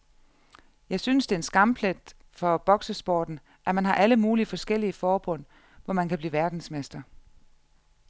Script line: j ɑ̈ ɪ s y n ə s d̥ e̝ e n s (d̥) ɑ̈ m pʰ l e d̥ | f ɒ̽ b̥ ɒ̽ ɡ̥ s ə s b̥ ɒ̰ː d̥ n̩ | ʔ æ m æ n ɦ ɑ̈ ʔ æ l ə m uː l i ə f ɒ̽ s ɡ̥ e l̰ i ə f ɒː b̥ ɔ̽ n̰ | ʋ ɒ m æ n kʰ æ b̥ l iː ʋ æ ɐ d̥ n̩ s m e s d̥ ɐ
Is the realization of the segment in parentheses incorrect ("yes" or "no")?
yes